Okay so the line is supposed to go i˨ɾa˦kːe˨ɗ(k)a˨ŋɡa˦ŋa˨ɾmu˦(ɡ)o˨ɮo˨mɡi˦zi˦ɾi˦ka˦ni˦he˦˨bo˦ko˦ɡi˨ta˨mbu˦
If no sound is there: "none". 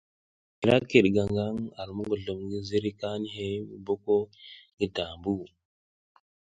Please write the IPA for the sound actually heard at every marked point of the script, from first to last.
ɡ, ɡ

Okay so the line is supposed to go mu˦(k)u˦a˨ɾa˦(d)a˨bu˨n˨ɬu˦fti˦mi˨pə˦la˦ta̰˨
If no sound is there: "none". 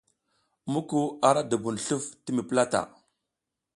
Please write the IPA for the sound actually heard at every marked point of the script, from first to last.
k, d

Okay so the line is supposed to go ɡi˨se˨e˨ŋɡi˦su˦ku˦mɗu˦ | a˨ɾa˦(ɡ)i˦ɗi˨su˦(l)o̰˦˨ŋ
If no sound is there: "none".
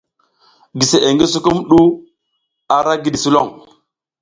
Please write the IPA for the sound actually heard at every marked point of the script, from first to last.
ɡ, l

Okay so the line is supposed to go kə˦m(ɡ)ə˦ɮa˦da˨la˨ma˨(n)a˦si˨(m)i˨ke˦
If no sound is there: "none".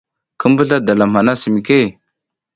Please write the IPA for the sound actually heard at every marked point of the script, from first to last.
b, n, m

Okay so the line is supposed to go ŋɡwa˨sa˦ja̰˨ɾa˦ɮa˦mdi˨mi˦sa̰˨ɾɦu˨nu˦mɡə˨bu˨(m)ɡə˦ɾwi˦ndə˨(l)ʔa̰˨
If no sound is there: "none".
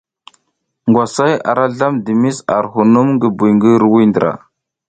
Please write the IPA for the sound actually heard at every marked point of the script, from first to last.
ŋ, ɾ

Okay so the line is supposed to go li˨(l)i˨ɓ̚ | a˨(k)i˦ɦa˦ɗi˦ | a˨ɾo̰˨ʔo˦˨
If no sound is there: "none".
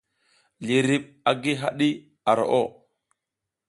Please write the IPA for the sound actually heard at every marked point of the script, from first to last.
ɾ, ɡ

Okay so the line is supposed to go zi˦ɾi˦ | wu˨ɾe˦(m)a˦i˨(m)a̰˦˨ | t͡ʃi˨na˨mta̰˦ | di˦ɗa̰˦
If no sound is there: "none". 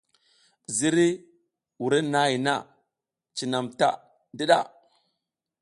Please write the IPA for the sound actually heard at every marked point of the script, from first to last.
n, n

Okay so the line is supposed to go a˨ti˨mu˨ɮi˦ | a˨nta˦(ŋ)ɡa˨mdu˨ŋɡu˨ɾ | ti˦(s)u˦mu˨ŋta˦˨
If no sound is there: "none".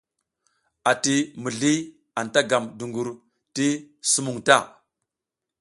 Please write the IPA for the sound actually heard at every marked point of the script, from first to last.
none, s

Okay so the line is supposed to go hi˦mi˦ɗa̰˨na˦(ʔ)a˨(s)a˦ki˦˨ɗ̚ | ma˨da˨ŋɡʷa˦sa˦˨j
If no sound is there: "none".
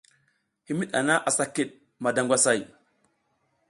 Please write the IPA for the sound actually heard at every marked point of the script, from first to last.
ʔ, s

